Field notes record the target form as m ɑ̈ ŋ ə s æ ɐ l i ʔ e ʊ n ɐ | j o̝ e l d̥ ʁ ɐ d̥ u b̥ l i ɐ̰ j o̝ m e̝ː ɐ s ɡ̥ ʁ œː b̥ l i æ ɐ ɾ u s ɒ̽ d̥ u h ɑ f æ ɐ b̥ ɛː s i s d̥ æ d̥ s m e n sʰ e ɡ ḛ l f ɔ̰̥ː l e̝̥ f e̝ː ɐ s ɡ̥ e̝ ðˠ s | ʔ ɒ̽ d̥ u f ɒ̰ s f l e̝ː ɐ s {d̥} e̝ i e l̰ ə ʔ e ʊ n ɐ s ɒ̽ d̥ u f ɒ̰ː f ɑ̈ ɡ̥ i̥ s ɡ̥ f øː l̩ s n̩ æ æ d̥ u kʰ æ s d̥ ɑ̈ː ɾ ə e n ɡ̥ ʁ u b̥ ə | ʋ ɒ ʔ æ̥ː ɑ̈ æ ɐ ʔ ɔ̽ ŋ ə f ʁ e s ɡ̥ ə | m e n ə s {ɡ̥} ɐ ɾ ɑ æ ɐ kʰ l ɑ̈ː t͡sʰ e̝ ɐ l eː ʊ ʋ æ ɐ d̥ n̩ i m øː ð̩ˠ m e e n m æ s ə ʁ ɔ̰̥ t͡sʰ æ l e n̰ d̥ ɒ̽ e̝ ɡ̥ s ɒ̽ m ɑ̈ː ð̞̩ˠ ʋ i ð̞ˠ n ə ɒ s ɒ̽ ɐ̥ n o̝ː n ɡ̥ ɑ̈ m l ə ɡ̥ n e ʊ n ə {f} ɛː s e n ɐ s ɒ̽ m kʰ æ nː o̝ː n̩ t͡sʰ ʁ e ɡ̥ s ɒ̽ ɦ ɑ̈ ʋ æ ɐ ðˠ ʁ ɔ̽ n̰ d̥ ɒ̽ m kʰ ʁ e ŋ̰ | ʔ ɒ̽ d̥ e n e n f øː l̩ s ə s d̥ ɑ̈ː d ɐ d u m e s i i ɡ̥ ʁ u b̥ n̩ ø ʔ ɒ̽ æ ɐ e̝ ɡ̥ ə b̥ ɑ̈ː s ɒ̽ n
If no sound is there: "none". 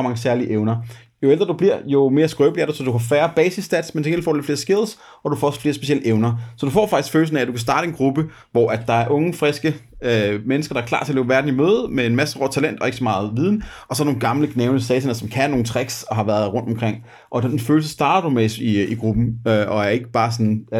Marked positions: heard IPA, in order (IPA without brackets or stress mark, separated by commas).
b̥, ɡ̥, s